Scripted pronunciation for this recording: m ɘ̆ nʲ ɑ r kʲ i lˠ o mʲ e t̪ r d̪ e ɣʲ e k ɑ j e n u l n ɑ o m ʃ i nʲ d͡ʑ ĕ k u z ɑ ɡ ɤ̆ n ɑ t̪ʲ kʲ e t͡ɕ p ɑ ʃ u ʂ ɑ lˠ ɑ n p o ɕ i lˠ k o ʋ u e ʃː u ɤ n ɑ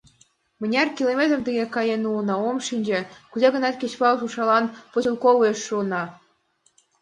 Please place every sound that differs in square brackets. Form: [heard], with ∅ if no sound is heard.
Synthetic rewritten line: m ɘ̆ nʲ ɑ r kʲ i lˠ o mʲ e t̪ r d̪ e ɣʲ e k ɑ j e n u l n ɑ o m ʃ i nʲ d͡ʑ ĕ k u z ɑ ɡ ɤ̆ n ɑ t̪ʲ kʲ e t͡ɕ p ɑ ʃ u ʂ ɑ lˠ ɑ n p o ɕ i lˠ k o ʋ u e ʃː u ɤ n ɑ